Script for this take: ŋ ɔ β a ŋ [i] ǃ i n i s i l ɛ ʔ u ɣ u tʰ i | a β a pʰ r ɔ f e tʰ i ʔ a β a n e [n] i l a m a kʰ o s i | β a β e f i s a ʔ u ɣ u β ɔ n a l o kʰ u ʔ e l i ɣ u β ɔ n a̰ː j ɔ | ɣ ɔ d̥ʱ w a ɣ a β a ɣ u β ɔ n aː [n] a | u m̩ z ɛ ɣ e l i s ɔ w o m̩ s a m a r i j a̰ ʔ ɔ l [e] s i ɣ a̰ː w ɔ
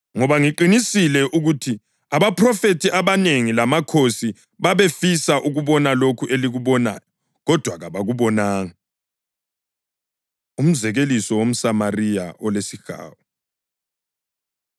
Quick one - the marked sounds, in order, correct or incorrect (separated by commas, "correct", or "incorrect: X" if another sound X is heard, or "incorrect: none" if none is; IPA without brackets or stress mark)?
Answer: correct, incorrect: ŋ, incorrect: ŋ, correct